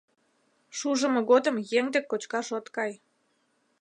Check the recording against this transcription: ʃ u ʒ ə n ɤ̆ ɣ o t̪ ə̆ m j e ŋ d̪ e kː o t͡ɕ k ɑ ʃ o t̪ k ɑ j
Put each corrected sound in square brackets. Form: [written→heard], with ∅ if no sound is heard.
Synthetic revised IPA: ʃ u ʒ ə [n→m] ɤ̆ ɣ o [t̪→d̪] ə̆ m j e ŋ d̪ e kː o t͡ɕ k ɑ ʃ o t̪ k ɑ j